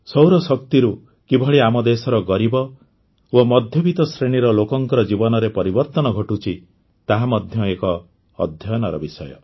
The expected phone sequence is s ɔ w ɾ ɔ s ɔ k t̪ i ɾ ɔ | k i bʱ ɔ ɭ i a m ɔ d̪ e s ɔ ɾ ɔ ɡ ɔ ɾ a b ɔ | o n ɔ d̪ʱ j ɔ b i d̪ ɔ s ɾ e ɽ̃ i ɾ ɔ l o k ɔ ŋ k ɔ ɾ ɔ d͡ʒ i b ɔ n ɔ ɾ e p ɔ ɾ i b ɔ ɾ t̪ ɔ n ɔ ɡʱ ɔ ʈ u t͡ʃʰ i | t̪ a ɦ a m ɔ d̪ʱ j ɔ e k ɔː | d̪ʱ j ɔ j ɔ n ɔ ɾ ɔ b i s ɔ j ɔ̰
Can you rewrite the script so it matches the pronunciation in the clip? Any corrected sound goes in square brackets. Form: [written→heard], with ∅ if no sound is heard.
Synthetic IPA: s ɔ w ɾ ɔ s ɔ k t̪ i ɾ [ɔ→u] | k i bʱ ɔ ɭ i a m ɔ d̪ e s ɔ ɾ ɔ ɡ ɔ ɾ [a→i] b ɔ | o [n→m] ɔ d̪ʱ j ɔ b i [d̪→t̪] ɔ s ɾ e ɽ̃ i ɾ ɔ l o k ɔ ŋ k ɔ ɾ ɔ d͡ʒ i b ɔ n ɔ ɾ e p ɔ ɾ i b ɔ ɾ t̪ ɔ n ɔ ɡʱ ɔ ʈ u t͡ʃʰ i | t̪ a ɦ a m ɔ d̪ʱ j ɔ e k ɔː | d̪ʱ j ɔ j ɔ n ɔ ɾ ɔ b i s ɔ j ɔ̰